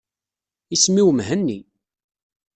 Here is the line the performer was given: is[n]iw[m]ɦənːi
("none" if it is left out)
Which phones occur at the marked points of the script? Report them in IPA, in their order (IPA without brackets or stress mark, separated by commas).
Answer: m, m